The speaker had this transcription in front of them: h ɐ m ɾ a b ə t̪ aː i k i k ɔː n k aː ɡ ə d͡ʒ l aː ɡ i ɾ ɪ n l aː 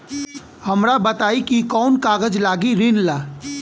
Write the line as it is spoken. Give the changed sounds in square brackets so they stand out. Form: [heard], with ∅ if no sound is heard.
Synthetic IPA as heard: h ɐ m ɾ a b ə t̪ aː i k i k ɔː n k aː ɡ ə d͡ʒ l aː ɡ i ɾ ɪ n l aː

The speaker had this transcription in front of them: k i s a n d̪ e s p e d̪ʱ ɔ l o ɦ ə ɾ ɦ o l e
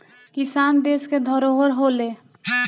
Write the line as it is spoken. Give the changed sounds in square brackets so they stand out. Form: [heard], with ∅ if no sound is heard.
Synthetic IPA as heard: k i s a n d̪ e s [k] e d̪ʱ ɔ [ɾ] o ɦ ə ɾ ɦ o l e

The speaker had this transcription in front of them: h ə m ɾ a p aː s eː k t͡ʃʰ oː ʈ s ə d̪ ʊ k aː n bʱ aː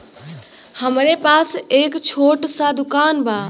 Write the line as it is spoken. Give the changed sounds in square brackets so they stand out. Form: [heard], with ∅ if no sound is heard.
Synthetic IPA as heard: h ə m ɾ [e] p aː s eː k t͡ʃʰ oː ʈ s [a] d̪ ʊ k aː n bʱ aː

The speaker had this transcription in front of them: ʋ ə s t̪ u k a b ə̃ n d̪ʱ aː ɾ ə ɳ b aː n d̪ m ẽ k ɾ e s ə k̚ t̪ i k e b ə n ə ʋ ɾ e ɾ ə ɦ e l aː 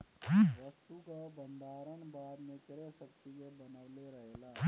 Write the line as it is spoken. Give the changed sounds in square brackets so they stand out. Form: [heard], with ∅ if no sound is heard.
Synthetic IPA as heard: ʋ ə s t̪ u k a b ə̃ n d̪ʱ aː ɾ ə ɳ b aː [∅] d̪ m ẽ k ɾ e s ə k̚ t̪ i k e b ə n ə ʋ [l] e ɾ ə ɦ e l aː

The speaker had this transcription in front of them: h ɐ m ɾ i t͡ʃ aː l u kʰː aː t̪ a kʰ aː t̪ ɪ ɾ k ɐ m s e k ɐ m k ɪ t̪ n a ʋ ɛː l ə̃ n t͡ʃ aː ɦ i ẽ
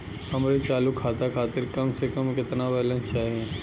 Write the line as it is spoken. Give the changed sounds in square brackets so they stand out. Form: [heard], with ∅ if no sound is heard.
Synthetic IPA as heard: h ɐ m ɾ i t͡ʃ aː l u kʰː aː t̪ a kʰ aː t̪ ɪ ɾ k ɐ m s e k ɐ m k ɪ t̪ n a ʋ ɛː l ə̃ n t͡ʃ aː ɦ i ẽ

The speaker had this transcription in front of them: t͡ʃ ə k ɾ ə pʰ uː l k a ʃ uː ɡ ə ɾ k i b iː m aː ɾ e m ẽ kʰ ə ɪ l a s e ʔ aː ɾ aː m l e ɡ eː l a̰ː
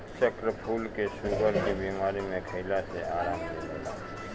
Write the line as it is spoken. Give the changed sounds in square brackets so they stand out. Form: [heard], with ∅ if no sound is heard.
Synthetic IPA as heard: t͡ʃ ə k ɾ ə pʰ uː l k [e] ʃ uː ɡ ə ɾ k i b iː m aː ɾ [i] m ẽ kʰ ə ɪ l a s e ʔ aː ɾ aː m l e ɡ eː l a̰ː

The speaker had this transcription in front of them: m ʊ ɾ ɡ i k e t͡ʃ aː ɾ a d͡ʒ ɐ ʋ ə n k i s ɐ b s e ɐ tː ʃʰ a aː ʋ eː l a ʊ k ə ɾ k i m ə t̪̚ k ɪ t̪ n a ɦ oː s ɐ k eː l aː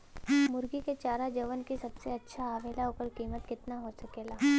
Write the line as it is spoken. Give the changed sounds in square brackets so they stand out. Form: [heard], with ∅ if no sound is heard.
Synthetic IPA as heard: m ʊ ɾ ɡ i k e t͡ʃ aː ɾ a d͡ʒ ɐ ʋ ə n k i s ɐ b s e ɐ tː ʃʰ a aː ʋ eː l a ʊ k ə ɾ k [iː] m ə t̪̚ k ɪ t̪ n a ɦ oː s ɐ k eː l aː

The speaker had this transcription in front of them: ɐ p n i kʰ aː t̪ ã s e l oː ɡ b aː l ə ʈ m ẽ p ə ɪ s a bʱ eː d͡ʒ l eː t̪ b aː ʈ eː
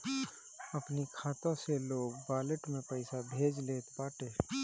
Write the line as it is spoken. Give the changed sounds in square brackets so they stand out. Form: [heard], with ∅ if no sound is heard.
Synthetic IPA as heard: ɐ p n i kʰ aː t̪ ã s e l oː ɡ b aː l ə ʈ m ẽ p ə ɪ s a bʱ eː d͡ʒ l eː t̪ b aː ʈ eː

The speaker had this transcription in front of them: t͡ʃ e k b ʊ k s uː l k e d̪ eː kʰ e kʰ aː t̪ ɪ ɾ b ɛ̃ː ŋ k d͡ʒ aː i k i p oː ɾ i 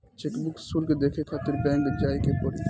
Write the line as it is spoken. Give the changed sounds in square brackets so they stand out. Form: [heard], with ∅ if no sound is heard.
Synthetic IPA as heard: t͡ʃ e k b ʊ k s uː l k e d̪ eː kʰ e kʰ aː t̪ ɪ ɾ b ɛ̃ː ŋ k d͡ʒ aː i k [e] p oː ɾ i

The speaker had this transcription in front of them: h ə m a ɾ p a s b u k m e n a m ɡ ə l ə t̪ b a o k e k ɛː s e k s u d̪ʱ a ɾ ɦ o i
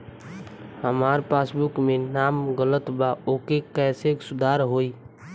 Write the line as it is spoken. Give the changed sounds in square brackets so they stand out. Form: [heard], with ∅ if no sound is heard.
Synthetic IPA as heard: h ə m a ɾ p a s b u k m e n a m ɡ ə l ə t̪ b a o k e k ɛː s e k s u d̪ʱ a ɾ ɦ o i

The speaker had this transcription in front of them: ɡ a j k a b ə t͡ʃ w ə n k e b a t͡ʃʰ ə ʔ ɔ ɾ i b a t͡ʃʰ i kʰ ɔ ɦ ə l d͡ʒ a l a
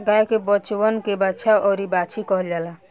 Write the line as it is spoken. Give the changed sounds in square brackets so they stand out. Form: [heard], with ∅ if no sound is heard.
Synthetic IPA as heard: ɡ a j k [e] b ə t͡ʃ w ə n k e b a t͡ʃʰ [a] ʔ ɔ ɾ i b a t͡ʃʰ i [k] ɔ ɦ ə l d͡ʒ a l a

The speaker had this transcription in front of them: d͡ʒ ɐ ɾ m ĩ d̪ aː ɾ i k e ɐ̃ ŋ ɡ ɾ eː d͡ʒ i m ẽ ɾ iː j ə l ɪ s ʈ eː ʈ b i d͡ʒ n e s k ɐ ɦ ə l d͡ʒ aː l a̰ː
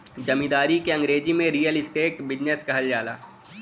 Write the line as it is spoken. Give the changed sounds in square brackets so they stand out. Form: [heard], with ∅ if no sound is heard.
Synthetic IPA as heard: d͡ʒ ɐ [∅] m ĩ d̪ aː ɾ i k e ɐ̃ ŋ ɡ ɾ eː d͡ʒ i m ẽ ɾ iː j ə l ɪ s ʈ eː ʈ b [ɪ] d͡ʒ n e s k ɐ ɦ ə l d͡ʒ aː l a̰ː

